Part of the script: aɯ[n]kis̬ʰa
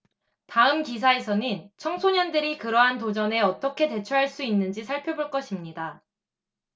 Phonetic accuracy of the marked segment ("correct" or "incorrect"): incorrect